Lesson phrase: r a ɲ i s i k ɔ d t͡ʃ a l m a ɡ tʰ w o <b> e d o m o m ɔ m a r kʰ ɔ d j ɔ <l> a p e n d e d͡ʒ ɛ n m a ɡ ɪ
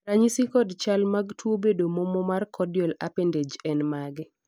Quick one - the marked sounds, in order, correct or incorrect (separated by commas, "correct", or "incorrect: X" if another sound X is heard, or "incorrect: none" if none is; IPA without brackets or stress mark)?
correct, correct